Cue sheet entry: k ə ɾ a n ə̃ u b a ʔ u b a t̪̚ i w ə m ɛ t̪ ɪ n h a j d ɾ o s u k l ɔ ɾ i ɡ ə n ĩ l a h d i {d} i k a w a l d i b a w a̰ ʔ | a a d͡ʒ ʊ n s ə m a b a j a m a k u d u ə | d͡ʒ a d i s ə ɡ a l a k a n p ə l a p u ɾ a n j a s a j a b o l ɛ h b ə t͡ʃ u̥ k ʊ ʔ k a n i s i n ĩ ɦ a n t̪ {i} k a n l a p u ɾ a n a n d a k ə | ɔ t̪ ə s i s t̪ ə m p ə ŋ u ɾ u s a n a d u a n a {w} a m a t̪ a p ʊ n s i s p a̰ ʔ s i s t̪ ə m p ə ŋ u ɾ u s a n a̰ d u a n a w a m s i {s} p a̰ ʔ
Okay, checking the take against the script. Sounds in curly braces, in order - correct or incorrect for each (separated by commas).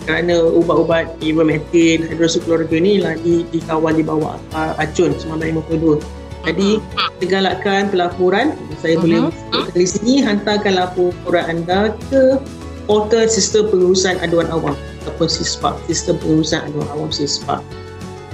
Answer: correct, incorrect, correct, correct